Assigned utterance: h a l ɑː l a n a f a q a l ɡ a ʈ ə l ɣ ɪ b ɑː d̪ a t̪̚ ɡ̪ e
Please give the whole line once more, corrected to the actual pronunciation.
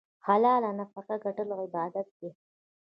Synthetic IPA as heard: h a l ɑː l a n a f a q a ɡ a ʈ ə l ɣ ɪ b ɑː d̪ a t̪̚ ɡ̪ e